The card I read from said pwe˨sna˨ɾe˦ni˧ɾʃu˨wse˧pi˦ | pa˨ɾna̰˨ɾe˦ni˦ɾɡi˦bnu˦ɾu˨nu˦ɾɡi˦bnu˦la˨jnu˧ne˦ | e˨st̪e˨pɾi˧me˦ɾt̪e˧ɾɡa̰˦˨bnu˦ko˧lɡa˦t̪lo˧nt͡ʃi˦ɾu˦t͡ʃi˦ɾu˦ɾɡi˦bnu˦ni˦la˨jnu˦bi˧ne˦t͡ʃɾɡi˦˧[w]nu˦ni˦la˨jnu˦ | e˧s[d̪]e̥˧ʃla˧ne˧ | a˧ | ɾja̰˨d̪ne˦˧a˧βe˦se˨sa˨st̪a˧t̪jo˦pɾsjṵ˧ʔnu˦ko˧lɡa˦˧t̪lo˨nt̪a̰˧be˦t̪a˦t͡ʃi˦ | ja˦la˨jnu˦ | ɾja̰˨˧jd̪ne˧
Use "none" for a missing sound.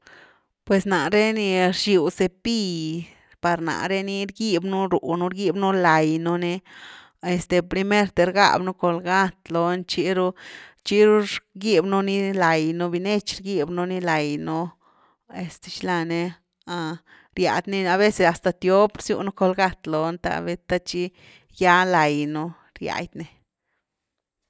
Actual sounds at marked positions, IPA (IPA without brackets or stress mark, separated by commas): b, t̪